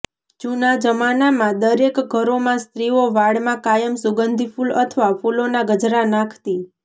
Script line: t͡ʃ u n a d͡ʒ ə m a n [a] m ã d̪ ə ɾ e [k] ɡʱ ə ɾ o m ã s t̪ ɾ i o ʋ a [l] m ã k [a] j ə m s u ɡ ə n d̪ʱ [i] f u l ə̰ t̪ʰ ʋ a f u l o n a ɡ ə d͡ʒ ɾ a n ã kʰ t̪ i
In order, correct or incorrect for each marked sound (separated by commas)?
correct, correct, incorrect, correct, correct